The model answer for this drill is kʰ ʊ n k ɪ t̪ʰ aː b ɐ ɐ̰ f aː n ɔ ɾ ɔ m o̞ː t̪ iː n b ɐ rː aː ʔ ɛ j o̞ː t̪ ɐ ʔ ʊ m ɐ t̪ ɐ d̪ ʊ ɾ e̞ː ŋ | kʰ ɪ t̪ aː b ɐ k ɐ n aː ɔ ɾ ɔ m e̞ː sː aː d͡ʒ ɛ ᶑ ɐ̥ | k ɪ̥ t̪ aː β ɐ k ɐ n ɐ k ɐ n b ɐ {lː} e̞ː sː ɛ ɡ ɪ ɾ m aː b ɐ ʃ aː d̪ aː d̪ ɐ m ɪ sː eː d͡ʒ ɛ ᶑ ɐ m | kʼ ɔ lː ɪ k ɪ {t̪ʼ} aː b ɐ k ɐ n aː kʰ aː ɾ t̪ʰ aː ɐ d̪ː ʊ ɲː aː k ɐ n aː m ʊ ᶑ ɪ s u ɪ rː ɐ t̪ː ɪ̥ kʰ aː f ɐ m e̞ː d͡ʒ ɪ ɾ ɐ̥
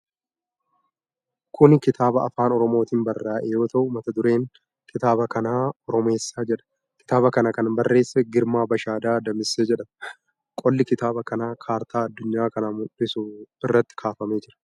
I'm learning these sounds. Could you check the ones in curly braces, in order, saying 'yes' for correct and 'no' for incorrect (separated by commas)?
no, no